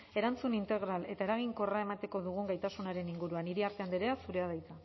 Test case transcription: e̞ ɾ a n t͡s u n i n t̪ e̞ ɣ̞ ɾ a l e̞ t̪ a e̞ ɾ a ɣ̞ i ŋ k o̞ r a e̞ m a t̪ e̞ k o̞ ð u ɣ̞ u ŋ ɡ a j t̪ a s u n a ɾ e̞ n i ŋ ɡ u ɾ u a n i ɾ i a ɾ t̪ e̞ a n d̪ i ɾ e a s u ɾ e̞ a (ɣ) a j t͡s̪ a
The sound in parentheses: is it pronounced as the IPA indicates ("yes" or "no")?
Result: no